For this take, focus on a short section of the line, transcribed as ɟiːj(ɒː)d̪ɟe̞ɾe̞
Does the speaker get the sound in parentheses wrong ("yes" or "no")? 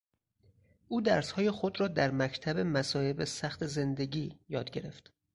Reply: no